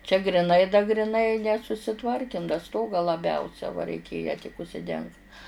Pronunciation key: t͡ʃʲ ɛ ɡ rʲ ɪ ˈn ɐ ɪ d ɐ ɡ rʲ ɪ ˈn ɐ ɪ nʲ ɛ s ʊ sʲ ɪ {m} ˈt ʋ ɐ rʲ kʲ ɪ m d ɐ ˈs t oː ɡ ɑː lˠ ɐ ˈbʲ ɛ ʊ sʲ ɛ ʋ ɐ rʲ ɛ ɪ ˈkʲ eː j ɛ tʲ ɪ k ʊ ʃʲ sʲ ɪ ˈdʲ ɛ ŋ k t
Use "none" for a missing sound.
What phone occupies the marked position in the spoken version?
none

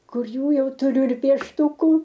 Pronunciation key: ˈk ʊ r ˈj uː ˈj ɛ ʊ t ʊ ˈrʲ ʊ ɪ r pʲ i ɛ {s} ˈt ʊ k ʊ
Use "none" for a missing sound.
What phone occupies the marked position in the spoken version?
ʃ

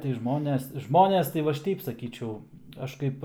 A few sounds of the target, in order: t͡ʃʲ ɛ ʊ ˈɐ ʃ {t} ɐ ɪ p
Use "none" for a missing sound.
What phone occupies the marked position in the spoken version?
k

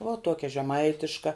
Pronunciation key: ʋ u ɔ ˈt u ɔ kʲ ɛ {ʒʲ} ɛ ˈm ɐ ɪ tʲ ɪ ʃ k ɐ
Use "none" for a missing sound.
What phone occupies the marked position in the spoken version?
ʒʲ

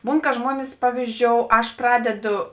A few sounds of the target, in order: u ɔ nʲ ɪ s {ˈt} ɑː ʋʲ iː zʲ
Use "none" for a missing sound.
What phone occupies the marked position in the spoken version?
p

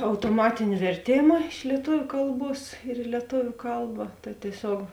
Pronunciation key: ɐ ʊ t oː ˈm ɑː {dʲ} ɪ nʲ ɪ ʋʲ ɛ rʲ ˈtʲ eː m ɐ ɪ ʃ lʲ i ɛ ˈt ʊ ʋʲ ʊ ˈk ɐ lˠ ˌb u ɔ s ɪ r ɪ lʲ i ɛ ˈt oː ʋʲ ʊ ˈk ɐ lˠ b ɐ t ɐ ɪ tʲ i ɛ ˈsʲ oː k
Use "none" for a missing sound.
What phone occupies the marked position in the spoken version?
tʲ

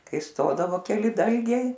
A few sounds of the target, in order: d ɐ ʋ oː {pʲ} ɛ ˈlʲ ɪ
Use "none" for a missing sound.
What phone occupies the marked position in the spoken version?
kʲ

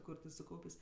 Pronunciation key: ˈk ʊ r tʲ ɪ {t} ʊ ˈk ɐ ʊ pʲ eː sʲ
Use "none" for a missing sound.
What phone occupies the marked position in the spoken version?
s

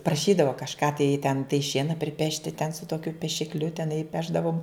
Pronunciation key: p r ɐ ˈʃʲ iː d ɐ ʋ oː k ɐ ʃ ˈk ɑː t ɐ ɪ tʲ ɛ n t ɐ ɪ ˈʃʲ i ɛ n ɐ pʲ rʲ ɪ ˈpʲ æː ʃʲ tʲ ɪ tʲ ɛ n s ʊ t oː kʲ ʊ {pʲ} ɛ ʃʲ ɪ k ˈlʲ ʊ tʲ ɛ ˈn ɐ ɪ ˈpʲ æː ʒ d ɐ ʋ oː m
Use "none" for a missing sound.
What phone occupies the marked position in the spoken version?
pʲ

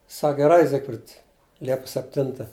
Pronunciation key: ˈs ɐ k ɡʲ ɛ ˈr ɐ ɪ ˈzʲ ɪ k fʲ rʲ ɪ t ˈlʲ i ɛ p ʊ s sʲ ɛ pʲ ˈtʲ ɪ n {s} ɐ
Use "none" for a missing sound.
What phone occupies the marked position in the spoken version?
t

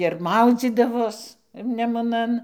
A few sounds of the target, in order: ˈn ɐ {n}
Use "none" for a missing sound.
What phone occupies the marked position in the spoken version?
n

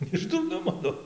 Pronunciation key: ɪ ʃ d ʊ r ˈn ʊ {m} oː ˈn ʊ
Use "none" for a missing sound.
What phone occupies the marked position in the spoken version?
m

